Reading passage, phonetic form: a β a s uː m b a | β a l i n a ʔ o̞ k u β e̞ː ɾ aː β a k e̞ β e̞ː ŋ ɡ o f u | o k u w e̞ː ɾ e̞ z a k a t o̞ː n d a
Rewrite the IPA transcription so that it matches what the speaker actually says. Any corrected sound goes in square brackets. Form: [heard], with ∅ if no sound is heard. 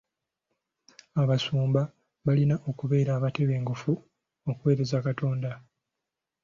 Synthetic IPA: a β a s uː m b a | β a l i n a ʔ o̞ k u β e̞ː ɾ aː β a [t] e̞ β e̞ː ŋ ɡ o f u | o k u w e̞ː ɾ e̞ z a k a t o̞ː n d a